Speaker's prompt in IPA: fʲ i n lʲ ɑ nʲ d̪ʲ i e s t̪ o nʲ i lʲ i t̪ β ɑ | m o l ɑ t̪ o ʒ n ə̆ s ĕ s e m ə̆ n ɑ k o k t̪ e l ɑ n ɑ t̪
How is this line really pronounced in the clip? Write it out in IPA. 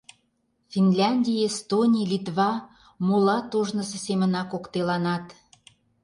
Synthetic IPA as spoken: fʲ i n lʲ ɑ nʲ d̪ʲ i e s t̪ o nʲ i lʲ i t̪ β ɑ | m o l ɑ t̪ o ʒ n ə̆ s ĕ s e m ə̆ n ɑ k o k t̪ e l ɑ n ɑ t̪